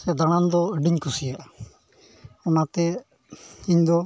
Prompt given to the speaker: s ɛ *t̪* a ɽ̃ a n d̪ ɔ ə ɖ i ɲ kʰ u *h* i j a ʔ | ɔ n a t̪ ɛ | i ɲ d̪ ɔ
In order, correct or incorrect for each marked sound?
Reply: incorrect, incorrect

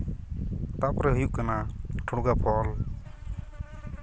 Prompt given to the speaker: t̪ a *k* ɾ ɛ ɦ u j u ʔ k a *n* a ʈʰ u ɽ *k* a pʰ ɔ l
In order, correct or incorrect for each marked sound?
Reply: incorrect, correct, incorrect

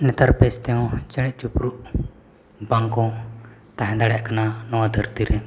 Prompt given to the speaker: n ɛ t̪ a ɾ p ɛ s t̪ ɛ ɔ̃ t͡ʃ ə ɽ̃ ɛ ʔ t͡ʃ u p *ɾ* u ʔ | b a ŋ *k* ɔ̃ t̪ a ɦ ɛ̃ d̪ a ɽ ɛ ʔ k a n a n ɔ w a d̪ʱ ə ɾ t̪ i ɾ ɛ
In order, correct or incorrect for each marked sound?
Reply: correct, correct

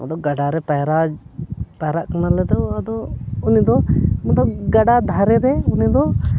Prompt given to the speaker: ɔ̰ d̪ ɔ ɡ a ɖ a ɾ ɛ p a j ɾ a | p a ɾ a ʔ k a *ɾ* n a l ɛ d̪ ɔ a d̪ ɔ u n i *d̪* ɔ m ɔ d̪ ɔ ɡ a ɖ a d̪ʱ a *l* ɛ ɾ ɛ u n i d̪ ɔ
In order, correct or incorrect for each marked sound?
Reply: incorrect, correct, incorrect

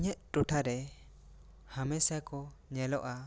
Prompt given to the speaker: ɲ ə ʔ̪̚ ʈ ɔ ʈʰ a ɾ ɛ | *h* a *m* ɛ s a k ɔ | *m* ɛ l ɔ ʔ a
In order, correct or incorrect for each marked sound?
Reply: correct, correct, incorrect

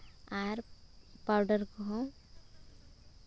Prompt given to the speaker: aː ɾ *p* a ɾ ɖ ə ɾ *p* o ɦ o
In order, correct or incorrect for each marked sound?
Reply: correct, incorrect

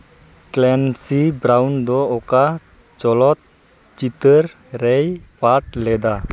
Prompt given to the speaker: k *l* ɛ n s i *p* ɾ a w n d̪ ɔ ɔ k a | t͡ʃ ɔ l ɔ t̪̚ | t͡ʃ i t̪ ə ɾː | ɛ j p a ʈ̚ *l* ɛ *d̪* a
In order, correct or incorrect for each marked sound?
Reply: correct, incorrect, correct, correct

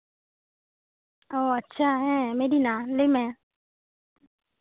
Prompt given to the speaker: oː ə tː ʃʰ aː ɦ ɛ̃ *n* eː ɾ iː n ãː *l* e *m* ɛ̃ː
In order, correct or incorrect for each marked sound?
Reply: incorrect, correct, correct

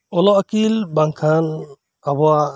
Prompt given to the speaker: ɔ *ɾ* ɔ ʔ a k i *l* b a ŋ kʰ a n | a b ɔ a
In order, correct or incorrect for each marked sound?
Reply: incorrect, correct

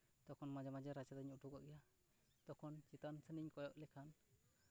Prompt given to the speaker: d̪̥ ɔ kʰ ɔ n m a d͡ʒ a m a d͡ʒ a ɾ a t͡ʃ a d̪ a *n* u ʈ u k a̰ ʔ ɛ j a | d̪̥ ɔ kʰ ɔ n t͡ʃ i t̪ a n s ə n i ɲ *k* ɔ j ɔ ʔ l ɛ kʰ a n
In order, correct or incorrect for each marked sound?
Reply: incorrect, correct

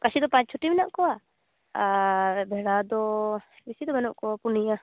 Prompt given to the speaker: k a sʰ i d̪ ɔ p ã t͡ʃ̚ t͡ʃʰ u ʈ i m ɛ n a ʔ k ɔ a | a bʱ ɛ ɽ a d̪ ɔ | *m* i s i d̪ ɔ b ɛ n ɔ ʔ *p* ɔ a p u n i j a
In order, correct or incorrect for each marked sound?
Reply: incorrect, incorrect

